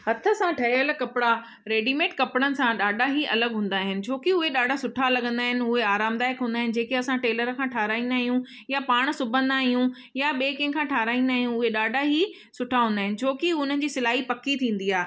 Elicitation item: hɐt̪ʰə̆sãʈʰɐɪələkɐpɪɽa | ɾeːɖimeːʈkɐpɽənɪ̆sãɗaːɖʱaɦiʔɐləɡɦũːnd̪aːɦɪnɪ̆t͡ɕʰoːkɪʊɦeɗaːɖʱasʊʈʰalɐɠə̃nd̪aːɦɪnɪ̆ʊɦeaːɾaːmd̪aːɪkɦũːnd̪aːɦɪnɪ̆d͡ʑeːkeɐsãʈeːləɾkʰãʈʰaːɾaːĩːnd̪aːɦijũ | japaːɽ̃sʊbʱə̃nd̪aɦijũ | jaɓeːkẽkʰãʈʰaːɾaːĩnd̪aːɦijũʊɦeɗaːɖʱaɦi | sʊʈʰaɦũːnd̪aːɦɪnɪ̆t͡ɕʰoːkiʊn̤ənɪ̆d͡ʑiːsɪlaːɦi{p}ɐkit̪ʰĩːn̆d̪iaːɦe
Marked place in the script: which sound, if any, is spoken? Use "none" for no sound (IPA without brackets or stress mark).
p